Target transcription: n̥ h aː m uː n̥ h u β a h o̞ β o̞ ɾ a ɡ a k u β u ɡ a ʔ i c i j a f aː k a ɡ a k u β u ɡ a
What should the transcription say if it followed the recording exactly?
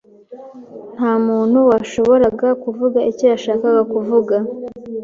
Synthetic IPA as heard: n̥ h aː m uː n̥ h u w a ʃ o̞ β o̞ ɾ a ɡ a k u v u ɡ a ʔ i c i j a ʃ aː k a ɡ a k u v u ɡ a